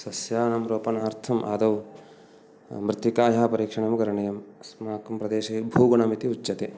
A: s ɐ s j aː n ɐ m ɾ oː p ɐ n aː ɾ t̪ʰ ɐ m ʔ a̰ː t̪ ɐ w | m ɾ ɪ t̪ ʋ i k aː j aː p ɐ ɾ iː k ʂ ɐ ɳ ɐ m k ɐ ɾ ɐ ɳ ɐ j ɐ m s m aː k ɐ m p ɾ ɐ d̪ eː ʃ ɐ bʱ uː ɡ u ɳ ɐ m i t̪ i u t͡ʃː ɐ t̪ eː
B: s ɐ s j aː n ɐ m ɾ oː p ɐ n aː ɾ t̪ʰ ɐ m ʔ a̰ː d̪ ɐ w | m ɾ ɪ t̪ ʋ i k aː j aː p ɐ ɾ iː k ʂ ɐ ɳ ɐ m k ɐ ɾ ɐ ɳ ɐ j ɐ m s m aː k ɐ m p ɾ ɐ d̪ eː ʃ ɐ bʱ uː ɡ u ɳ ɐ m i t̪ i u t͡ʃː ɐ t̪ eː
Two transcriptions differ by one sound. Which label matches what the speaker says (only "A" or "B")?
B